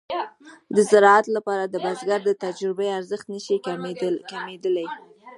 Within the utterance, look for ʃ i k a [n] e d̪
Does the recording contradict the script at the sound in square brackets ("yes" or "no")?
yes